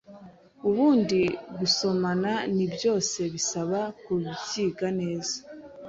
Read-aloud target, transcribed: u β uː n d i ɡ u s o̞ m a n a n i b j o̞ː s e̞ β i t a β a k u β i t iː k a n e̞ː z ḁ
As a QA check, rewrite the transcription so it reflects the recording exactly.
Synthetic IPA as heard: u β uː n d i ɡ u s o̞ m a n a n i b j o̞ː s e̞ β i s a β a k u β i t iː ɡ a n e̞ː z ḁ

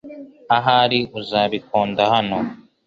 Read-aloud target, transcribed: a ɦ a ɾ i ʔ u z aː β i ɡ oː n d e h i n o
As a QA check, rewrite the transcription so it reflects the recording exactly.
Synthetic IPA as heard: a ɦ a ɾ i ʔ u z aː β i k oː n d a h a n o

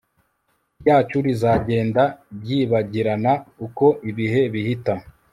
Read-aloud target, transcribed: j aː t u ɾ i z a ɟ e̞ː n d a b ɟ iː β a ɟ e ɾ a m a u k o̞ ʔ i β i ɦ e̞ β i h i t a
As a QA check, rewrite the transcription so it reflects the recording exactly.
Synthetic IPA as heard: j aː t͡ʃ u ɾ i z a ɟ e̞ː n d a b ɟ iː β a ɟ i ɾ a n a u k o̞ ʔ i β i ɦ e̞ β i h i t a

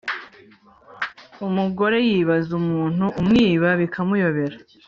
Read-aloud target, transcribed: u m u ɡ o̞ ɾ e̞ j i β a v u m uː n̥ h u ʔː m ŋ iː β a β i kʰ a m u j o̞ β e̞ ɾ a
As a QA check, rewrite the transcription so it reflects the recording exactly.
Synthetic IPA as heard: u m u ɡ o̞ ɾ e̞ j i β a z u m uː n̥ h u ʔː m ŋ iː β a β i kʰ a m u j o̞ β e̞ ɾ a

